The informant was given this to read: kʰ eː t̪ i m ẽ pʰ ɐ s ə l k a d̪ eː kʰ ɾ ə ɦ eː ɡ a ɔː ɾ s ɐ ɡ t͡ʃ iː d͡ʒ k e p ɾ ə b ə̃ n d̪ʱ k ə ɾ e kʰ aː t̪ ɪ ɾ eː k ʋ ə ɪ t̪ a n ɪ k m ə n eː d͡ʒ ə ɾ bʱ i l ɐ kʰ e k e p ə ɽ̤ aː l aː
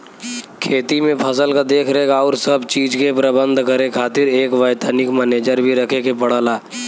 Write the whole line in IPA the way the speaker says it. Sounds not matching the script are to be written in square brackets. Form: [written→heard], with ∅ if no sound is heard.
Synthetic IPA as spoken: kʰ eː t̪ i m ẽ pʰ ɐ s ə l k a d̪ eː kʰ ɾ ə ɦ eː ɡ a ɔː ɾ s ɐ [ɡ→b] t͡ʃ iː d͡ʒ k e p ɾ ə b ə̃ n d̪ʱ k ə ɾ e kʰ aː t̪ ɪ ɾ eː k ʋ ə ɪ t̪ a n ɪ k m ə n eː d͡ʒ ə ɾ bʱ i [l→ɾ] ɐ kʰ e k e p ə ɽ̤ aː l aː